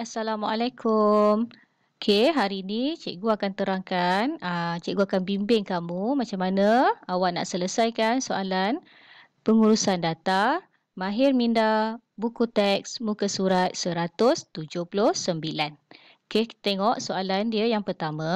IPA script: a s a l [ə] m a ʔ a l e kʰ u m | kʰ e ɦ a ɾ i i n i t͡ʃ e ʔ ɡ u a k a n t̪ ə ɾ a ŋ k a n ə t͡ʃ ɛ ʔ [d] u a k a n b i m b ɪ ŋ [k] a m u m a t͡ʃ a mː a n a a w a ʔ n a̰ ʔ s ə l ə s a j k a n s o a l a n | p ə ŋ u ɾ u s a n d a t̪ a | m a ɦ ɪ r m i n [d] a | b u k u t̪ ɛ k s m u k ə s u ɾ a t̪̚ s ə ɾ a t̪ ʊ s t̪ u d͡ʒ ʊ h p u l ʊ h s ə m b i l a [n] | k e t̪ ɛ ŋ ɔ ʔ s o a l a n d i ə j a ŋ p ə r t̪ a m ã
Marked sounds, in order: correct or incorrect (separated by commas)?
incorrect, incorrect, correct, correct, correct